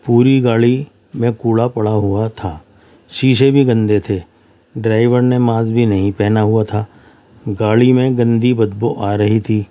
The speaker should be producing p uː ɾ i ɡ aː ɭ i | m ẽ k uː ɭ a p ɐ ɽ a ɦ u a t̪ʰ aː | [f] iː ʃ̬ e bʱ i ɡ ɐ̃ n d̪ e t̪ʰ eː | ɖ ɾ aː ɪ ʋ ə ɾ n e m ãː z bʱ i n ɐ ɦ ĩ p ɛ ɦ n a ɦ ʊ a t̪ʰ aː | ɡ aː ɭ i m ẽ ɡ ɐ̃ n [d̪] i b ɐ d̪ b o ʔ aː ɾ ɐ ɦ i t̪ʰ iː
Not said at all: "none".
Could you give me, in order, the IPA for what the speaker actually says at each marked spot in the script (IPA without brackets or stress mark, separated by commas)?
ʃ, d̪